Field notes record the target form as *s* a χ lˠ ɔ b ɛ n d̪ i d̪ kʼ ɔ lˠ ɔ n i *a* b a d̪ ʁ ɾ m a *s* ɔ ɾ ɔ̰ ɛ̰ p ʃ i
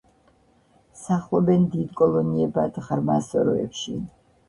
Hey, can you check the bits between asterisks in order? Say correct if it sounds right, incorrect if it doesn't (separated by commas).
correct, incorrect, correct